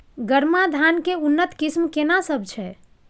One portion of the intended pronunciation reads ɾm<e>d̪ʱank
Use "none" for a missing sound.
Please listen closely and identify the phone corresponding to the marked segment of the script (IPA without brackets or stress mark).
a